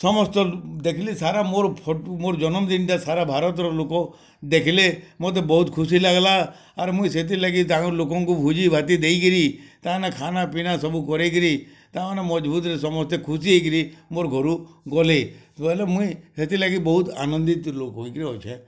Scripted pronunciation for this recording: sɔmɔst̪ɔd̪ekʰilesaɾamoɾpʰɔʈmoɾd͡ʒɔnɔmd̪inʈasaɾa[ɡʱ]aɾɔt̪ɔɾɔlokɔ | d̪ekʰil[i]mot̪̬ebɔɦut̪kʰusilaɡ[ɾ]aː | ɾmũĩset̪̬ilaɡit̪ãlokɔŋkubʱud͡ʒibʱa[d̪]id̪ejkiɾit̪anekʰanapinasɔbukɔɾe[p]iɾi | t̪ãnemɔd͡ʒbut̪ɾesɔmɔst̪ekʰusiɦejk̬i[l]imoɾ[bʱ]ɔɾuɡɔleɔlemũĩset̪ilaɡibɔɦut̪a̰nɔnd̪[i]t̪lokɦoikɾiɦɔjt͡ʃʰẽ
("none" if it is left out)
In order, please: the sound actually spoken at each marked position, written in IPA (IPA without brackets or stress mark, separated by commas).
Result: bʱ, e, l, t̪, k, ɾ, ɡʱ, i